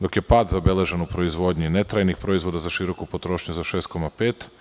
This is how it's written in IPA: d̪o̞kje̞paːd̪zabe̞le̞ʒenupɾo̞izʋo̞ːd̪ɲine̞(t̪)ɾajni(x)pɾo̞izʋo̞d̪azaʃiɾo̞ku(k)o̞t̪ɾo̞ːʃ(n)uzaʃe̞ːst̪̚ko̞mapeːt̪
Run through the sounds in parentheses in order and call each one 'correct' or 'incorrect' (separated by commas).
correct, correct, incorrect, incorrect